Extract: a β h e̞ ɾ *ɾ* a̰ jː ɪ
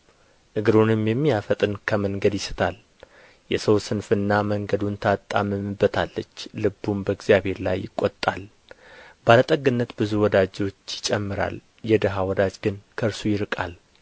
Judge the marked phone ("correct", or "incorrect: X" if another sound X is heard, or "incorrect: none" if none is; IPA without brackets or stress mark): incorrect: l